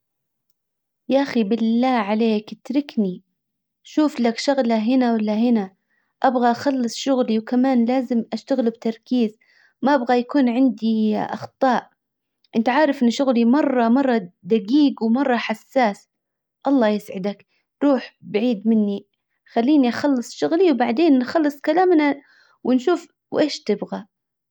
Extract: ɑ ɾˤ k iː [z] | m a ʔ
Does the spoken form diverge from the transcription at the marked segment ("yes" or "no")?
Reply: no